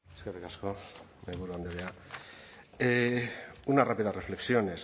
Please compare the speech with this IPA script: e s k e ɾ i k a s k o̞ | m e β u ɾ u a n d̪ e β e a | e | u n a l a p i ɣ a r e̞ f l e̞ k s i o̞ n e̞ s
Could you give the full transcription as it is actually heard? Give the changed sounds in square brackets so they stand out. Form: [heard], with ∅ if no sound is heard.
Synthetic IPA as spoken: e s k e [r] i k a s k o̞ | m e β u ɾ u a n d̪ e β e a | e | u n a [r] a p i [ð] a r e̞ f l e̞ k s i o̞ n e̞ s